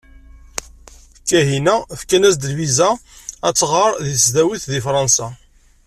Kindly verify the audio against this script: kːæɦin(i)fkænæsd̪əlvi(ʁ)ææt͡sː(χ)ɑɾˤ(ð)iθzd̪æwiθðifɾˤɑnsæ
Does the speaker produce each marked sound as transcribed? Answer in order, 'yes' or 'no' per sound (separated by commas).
no, no, no, yes